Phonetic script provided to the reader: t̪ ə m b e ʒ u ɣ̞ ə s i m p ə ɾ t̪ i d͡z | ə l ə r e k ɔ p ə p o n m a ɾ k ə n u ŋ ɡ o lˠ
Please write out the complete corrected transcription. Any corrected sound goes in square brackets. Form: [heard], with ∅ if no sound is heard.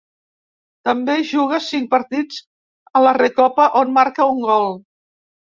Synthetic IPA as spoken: t̪ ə m b e ʒ u ɣ̞ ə s i [ŋ] p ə ɾ t̪ i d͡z | ə l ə r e k ɔ p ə [ʔ] o n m a ɾ k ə [∅] u ŋ ɡ [ɔ] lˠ

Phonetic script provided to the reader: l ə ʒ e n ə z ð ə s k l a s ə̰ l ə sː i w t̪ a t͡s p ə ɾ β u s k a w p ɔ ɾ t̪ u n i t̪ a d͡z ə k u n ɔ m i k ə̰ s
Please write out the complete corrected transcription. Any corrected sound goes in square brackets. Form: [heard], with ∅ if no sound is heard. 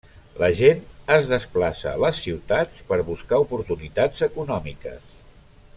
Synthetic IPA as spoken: l ə ʒ e n ə z ð ə s [p] l a s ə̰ l ə sː i w t̪ a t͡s p ə ɾ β u s k a [u] p [u] ɾ t̪ u n i t̪ a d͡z ə k u n ɔ m i k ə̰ s

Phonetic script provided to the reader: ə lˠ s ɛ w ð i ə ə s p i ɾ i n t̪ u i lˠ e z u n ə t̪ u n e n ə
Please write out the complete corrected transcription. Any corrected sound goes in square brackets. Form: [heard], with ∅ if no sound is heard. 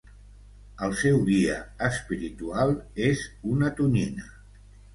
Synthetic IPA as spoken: ə lˠ s ɛ w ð i ə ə s p i ɾ i [∅] t̪ u [a] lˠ e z u n ə t̪ u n [i] n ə

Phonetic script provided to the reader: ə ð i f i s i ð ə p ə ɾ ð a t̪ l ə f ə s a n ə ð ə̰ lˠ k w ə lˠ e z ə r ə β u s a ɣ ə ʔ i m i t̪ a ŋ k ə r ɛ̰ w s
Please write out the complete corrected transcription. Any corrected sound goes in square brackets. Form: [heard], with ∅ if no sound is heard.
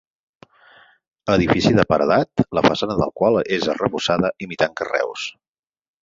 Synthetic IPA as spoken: ə ð i f i s i ð ə p ə ɾ ð a t̪ l ə f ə s a n ə ð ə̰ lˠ k w [a] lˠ e z ə r ə β u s a [ð] ə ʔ i m i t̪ a ŋ k ə r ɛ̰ w s

